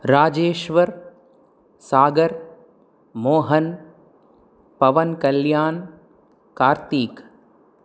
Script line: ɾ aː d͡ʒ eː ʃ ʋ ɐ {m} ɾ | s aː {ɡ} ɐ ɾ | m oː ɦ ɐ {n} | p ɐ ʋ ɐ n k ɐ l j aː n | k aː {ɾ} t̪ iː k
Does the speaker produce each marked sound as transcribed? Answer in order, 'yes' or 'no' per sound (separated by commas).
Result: no, yes, yes, yes